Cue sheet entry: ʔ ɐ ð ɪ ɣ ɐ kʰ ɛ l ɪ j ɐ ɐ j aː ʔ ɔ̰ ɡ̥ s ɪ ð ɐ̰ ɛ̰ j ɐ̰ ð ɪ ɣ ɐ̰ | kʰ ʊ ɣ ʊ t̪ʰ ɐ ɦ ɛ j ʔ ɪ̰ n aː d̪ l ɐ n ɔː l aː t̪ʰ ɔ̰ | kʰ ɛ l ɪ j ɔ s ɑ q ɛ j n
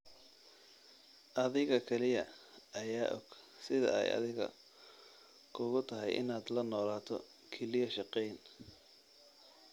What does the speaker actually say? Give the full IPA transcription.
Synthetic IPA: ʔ ɐ ð ɪ ɣ ɐ kʰ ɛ l ɪ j ɐ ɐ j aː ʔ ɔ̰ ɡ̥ s ɪ ð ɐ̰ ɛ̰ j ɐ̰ ð ɪ ɣ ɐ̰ | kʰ ʊ ɣ ʊ t̪ʰ ɐ ɦ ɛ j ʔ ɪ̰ n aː d̪ l ɐ n ɔː l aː t̪ʰ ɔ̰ | kʰ ɛ l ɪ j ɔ ʃ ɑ q ɛ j n